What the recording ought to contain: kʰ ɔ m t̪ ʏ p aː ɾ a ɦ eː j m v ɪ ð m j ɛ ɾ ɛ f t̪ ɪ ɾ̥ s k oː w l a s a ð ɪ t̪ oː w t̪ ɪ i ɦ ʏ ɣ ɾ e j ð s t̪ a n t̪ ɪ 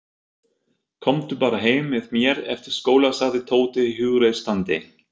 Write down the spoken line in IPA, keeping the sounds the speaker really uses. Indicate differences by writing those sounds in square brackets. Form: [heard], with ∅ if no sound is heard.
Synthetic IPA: kʰ ɔ m t̪ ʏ p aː ɾ a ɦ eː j m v ɪ ð m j ɛ ɾ ɛ f t̪ ɪ ɾ̥ s k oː w l a s a ð ɪ [t̪ʰ] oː w t̪ ɪ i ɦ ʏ ɣ ɾ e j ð s t̪ a n t̪ ɪ